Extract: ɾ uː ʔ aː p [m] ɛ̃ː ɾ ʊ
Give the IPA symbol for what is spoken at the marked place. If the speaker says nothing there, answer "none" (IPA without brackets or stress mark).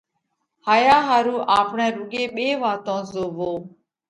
ɳ